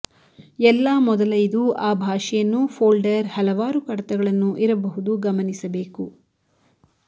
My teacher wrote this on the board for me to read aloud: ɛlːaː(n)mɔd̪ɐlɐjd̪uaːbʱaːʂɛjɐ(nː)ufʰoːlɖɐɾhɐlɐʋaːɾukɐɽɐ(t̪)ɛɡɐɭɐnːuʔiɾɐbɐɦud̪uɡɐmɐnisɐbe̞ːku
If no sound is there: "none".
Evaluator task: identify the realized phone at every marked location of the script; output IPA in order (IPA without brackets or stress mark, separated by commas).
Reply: none, nː, t̪